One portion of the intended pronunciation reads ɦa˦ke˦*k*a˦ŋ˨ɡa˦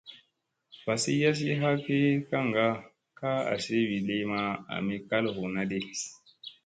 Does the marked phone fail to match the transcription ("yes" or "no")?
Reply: no